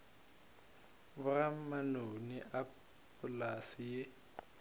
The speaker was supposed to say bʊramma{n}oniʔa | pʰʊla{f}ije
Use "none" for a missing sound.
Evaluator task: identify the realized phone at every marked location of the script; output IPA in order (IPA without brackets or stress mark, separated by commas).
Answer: n, s